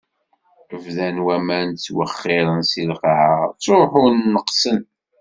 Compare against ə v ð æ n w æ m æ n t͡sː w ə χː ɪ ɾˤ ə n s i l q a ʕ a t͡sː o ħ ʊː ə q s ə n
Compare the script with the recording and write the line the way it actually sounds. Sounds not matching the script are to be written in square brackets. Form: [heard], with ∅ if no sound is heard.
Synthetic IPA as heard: ə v ð æ n w æ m æ n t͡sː w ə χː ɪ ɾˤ ə n s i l q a ʕ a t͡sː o ħ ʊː ə q s ə n

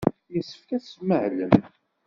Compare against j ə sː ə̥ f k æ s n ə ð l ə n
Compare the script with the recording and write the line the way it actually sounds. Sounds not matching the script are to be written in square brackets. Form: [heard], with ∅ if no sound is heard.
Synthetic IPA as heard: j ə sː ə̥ f k æ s [m] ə [ʕ] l ə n

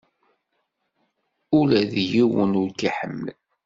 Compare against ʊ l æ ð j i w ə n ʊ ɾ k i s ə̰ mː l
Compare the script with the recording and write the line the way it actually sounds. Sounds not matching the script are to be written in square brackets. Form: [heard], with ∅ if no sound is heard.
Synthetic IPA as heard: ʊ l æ ð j i w ə n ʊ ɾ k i [ħ] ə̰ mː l

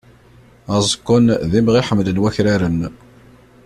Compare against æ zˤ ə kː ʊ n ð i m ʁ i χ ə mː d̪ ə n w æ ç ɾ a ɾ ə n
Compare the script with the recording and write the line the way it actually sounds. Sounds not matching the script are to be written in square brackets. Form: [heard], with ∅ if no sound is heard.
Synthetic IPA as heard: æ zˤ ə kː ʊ n ð i m ʁ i [ħ] ə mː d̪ ə n w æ ç ɾ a ɾ ə n

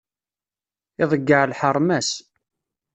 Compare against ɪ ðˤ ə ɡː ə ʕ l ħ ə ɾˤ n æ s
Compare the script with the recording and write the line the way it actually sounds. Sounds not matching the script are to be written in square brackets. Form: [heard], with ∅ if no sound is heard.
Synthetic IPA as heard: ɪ ðˤ ə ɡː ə ʕ l ħ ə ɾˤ [m] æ s

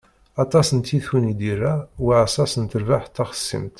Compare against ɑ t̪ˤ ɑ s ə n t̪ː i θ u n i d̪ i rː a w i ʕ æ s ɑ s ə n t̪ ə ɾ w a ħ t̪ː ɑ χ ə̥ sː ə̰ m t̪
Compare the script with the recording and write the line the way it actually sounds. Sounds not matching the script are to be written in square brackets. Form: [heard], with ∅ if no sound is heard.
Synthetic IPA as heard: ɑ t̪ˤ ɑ s ə n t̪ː i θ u n i d̪ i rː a w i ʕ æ s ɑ s ə n t̪ ə ɾ [v] a ħ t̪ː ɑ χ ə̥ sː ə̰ m t̪

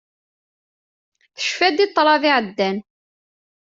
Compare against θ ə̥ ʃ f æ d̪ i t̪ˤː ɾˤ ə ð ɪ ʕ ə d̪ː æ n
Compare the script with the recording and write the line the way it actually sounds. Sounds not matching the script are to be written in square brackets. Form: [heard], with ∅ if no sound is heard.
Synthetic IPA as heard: θ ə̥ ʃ f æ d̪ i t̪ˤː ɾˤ [ɑ] ð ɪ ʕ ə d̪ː æ n

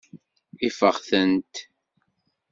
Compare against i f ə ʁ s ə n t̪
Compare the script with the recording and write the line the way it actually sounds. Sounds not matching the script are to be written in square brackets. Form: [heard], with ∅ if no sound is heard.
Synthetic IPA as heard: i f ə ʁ [θ] ə n t̪

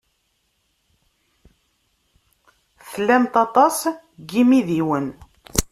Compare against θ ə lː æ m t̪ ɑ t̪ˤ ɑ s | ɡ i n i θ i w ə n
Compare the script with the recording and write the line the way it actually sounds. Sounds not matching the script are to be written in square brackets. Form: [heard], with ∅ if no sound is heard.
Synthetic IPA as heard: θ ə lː æ m t̪ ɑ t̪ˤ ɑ s | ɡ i [m] i [ð] i w ə n

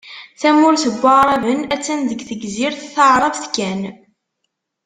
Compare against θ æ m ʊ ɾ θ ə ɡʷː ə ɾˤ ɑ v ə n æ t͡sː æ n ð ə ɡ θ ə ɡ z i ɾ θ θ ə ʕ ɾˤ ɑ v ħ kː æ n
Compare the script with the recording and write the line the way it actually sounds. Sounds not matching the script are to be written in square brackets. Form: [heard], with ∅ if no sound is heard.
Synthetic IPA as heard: θ æ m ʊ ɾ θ ə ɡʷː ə ɾˤ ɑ v ə n æ t͡sː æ n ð ə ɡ θ ə ɡ z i ɾ θ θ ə ʕ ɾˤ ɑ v [θ] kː æ n

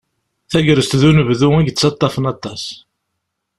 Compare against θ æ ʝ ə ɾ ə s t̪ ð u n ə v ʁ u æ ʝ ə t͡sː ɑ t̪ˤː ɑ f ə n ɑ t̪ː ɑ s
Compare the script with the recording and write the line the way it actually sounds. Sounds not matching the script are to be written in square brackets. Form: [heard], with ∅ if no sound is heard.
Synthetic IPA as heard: θ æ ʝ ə ɾ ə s t̪ ð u n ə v [ð] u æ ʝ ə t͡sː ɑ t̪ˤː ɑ f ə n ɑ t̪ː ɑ s

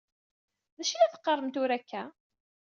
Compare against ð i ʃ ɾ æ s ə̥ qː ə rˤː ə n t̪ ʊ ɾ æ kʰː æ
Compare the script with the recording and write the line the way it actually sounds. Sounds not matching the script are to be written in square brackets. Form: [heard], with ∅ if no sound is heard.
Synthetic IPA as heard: ð [æ] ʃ [l] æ [θ] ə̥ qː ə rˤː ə [m] t̪ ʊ ɾ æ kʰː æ

